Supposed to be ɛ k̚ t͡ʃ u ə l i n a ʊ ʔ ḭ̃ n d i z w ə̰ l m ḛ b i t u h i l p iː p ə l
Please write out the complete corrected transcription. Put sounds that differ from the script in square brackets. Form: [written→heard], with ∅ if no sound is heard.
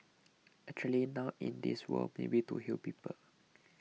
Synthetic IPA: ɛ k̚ t͡ʃ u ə l i n a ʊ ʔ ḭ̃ n d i [z→s] w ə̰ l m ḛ b i t u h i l p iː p ə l